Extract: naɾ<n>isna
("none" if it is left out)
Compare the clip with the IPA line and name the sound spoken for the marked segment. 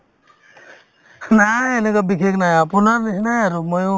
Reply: n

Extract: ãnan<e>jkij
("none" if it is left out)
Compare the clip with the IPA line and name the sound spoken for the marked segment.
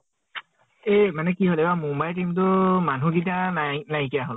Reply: a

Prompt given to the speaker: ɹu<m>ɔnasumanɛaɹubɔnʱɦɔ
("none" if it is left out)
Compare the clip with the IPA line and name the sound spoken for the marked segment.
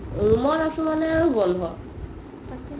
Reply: m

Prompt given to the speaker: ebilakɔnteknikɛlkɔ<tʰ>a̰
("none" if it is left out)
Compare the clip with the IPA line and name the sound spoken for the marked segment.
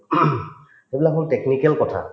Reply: tʰ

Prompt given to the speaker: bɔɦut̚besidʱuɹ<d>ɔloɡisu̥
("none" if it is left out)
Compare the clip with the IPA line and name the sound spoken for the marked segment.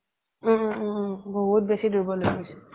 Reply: b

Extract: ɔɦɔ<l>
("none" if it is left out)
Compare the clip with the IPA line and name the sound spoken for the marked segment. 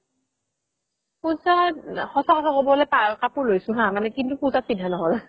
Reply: l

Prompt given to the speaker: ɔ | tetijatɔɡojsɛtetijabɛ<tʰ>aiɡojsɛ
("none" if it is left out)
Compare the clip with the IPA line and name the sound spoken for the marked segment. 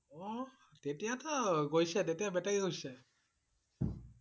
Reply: t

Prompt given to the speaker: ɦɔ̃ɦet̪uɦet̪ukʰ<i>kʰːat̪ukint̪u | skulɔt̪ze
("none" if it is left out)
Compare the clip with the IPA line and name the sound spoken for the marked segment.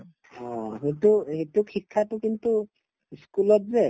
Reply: i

